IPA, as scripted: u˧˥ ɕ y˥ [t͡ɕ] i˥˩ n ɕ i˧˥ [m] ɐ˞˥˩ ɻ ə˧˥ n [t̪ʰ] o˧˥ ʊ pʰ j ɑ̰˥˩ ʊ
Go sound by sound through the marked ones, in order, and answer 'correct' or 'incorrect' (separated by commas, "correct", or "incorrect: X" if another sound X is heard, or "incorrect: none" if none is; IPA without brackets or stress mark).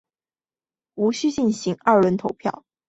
correct, incorrect: ŋ, correct